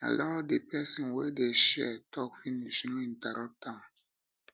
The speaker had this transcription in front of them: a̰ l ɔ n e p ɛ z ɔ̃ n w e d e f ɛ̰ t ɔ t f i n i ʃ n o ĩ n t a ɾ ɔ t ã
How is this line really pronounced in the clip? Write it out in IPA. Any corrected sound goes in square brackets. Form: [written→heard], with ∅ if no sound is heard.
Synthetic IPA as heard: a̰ l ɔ [n→d] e p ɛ [z→s] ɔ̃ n w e d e [f→ʃ] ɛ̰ t ɔ [t→k] f i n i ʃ n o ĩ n t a ɾ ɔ t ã